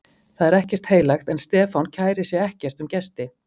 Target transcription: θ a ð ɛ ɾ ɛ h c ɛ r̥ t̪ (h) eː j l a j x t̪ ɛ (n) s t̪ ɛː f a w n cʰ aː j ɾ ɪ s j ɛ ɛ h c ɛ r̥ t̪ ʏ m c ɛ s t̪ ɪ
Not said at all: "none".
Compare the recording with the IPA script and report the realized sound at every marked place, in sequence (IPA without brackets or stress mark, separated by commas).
h, n